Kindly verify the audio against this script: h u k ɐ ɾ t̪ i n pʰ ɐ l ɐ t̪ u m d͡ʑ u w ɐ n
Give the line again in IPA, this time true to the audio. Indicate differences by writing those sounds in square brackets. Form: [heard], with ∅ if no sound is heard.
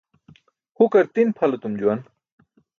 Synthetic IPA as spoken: h u k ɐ ɾ t̪ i n pʰ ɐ l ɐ t̪ u m d͡ʑ u w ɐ n